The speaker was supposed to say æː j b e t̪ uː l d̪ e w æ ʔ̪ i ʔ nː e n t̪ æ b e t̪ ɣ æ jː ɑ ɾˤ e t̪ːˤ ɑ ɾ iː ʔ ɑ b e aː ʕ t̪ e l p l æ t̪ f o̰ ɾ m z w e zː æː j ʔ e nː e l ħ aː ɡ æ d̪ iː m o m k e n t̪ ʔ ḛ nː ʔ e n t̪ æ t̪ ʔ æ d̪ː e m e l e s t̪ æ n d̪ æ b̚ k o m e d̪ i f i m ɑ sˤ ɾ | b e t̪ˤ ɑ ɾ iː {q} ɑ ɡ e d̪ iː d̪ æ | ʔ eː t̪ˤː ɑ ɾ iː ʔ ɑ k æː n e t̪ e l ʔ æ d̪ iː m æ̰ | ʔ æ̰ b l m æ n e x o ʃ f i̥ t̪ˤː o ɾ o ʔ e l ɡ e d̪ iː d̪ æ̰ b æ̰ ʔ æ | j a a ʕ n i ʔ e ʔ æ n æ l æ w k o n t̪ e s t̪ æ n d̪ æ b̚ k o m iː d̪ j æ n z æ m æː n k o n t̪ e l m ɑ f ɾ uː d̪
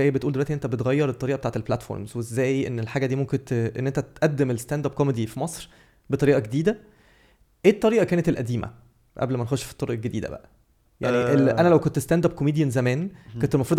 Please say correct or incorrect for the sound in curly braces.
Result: incorrect